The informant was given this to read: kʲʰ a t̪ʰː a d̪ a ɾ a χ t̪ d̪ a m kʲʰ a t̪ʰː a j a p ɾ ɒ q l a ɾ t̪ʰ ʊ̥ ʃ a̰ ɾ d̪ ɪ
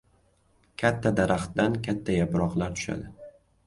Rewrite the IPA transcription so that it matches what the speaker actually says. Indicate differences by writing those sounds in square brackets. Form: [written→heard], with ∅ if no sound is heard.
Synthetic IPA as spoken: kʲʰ a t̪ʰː a d̪ a ɾ a χ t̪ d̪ a [m→n] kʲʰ a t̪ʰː a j a p ɾ ɒ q l a ɾ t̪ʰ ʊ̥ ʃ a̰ [ɾ→∅] d̪ ɪ